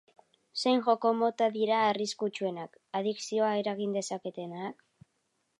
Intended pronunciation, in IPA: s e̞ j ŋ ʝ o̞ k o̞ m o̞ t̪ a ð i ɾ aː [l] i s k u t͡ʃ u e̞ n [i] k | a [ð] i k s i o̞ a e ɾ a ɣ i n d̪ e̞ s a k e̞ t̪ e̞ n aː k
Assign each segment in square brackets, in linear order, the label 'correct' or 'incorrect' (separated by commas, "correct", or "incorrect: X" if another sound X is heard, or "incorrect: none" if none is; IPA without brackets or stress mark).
incorrect: r, incorrect: a, correct